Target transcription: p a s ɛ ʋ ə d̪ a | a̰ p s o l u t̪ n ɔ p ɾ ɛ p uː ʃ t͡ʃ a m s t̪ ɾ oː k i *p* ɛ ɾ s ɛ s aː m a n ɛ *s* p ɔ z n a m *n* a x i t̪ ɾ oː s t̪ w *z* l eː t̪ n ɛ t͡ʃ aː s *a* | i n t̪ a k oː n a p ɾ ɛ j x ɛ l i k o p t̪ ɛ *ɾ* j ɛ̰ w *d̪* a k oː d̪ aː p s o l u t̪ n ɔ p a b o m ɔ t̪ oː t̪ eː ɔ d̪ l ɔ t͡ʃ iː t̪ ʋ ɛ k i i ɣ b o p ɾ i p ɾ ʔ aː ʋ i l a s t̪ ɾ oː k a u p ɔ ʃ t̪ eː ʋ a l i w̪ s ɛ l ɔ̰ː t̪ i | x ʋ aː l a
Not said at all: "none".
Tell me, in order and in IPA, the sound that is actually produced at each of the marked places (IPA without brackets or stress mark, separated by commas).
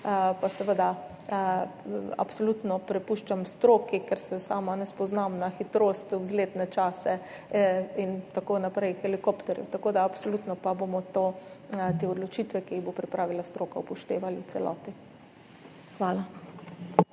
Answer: k, s, n, z, ɛ, ɾ, t̪